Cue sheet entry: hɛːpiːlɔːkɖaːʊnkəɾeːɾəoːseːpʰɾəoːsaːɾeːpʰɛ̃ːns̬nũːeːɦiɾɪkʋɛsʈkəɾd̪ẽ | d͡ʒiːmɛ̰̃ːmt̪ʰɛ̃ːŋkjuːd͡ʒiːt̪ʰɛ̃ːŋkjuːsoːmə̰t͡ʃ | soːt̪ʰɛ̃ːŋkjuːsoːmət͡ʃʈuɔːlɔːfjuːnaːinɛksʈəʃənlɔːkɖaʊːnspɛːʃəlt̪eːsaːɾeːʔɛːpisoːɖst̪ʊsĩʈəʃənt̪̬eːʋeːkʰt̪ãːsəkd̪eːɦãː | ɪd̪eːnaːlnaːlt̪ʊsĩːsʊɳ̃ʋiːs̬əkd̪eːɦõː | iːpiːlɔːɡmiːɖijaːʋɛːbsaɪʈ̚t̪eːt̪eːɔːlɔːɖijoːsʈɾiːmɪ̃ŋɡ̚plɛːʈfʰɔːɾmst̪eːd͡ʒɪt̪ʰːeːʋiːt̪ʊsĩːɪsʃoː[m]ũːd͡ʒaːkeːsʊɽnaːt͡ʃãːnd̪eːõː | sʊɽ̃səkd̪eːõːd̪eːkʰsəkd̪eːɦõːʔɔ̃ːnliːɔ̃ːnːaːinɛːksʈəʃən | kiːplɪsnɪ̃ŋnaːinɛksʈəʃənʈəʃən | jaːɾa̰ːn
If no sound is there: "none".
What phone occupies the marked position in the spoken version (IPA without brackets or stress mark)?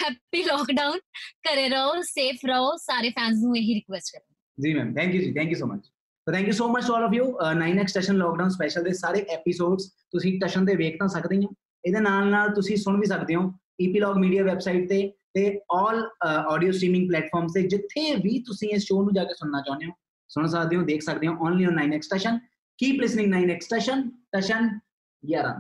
n